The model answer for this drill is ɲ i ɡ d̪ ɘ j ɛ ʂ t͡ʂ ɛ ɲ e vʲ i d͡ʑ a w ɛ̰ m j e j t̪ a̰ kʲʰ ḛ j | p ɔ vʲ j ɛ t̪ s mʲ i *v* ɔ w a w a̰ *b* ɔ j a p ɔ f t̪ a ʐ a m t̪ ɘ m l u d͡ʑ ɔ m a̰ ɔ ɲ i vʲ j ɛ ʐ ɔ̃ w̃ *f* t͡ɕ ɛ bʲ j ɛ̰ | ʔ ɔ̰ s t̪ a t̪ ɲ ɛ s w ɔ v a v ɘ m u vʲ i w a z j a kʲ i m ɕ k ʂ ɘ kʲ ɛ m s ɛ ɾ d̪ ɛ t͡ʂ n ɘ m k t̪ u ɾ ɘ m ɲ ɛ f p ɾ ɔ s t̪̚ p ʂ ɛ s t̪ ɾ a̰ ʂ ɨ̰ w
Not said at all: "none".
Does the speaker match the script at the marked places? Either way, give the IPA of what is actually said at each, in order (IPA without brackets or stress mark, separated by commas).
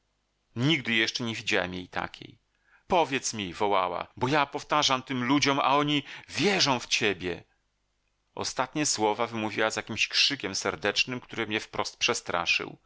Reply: v, b, f